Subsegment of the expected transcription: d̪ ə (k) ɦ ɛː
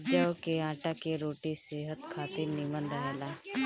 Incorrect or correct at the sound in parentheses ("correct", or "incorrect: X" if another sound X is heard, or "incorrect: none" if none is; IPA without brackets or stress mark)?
incorrect: none